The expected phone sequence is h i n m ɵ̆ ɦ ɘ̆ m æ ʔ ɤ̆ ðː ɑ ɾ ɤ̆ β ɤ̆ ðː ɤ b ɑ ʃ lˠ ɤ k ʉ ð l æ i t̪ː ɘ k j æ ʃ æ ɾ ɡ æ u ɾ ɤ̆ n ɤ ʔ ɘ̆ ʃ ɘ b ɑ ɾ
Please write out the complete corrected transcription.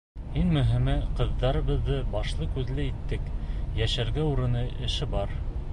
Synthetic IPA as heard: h i n m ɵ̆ ɦ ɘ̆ m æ q ɤ̆ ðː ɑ ɾ ɤ̆ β ɤ̆ ðː ɤ b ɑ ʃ lˠ ɤ k ʉ ð l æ i t̪ː ɘ k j æ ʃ æ ɾ ɡ æ u ɾ ɤ̆ n ɤ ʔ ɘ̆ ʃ ɘ b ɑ ɾ